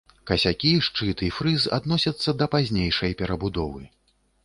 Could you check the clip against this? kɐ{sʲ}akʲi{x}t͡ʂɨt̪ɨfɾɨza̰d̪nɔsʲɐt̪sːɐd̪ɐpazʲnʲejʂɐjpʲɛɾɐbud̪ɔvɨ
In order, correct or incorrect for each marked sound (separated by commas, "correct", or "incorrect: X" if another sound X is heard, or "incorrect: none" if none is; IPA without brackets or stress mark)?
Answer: correct, incorrect: ʂ